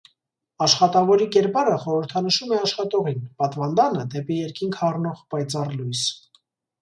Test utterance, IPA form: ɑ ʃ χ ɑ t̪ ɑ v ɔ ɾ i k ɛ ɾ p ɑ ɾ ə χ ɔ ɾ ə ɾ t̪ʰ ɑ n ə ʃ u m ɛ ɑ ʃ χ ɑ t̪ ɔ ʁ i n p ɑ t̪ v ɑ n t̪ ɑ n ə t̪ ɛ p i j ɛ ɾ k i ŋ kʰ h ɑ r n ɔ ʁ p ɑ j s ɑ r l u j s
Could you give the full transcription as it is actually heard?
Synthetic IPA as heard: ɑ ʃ χ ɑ t̪ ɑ v ɔ ɾ i k ɛ ɾ p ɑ ɾ ə χ ɔ ɾ ə ɾ t̪ʰ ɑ n ə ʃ u m ɛ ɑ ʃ χ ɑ t̪ ɔ ʁ i n p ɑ t̪ v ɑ n d̪ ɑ n ə d̪ ɛ p i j ɛ ɾ k i ŋ kʰ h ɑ r n ɔ ʁ p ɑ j t͡s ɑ r l u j s